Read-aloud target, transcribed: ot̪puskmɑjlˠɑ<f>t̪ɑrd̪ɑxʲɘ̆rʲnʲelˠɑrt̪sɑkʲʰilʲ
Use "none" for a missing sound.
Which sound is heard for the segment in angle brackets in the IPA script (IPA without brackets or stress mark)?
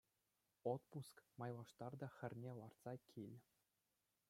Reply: ʂ